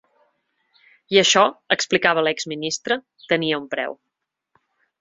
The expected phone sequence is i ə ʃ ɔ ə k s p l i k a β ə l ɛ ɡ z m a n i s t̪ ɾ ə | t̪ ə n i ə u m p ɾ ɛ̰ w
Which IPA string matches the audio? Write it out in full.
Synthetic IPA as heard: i ə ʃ ɔ ə k s p l i k a β ə l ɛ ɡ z m i n i s t̪ ɾ ə | t̪ ə n i ə u m p ɾ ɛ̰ w

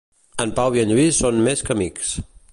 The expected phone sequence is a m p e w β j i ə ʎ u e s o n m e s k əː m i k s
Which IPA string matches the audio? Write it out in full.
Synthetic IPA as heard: ə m p a w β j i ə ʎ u i s o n m e s k ə m i k s

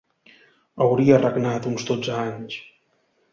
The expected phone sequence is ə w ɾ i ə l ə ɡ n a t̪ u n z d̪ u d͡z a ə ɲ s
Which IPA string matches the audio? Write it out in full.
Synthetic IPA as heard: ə w ɾ i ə r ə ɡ n a t̪ u n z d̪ o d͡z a a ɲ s

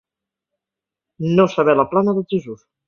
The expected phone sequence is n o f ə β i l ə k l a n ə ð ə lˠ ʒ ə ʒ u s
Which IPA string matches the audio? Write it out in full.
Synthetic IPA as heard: n o s ə β ɛ l ə p l a n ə ð ə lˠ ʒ ə z u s

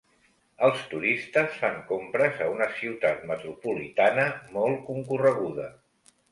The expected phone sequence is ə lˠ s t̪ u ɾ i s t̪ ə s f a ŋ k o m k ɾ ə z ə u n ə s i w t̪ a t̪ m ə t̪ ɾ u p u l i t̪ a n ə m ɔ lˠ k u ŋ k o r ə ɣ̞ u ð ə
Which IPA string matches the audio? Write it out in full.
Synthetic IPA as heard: ə lˠ s t̪ u ɾ i s t̪ ə s f a ŋ k o m p ɾ ə z ə u n ə s i w t̪ a t̪ m ə t̪ ɾ u p u l i t̪ a n ə m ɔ lˠ k u ŋ k u r ə ɣ̞ u ð ə

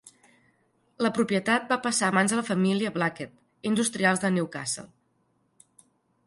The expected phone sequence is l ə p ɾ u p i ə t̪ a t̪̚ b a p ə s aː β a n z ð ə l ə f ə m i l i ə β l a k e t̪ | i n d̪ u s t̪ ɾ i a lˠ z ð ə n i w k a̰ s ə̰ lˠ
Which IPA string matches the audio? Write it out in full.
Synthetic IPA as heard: l ə p ɾ u p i ə t̪ a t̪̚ b a p ə s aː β a n z ð ə l ə f ə m i l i ə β l a k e t̪ | i n d̪ u s t̪ ɾ i a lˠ z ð ə n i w k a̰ s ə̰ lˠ

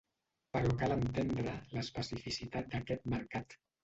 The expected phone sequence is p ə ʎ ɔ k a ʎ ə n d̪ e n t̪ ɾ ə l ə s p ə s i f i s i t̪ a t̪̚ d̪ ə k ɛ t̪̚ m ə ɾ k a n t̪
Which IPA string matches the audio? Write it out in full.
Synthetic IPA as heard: p ə ɾ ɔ k a l ə n t̪ e n d̪ ɾ ə l ə s p ə s i f i s i t̪ a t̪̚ d̪ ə k ɛ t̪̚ m ə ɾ k a t̪

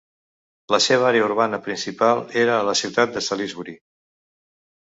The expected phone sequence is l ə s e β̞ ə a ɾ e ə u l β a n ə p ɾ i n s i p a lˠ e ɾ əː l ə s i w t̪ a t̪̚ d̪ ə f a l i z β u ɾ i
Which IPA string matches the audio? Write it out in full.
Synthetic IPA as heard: l ə s e β̞ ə a ɾ e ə u ɾ β a n ə p ɾ i n s i p a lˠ e ɾ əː l ə s i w t̪ a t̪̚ d̪ ə s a l i z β u ɾ i

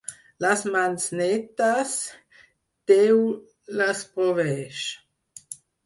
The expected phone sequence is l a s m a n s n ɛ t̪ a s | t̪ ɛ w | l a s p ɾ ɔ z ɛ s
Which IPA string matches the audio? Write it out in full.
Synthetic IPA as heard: l a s m a n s n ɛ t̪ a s | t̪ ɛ w | l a s p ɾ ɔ v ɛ ʃ

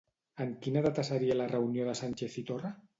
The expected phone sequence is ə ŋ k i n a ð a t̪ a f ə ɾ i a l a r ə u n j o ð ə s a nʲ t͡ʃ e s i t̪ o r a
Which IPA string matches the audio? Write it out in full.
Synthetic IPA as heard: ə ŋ k i n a ð a t̪ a s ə ɾ i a l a r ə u n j o ð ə s a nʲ t͡ʃ e θ i t̪ o r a

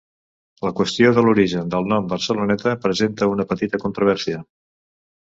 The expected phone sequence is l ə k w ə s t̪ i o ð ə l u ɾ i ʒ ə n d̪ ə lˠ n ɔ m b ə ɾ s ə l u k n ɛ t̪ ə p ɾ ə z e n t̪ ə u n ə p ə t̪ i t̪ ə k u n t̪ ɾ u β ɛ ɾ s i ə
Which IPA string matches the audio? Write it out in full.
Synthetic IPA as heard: l ə k w ə s t̪ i o ð ə l u ɾ i ʒ ə n d̪ ə lˠ n ɔ m b ə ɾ s ə l u n ɛ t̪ ə p ɾ ə z e n t̪ ə u n ə p ə t̪ i t̪ ə k u n t̪ ɾ u β ɛ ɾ s i ə

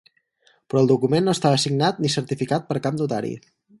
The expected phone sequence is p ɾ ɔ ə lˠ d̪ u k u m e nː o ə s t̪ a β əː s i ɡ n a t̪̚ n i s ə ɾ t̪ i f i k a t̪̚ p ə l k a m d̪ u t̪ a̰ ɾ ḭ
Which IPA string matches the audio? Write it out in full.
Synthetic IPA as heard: p ɾ ɔ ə lˠ d̪ u k u m e nː o ə s t̪ a β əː s i ɡ n a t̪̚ n i s ə ɾ t̪ i f i k a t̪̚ p ə ɾ k a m d̪ u t̪ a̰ ɾ ḭ

